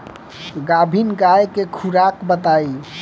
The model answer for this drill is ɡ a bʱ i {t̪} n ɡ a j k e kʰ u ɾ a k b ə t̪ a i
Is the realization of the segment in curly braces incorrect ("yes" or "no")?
yes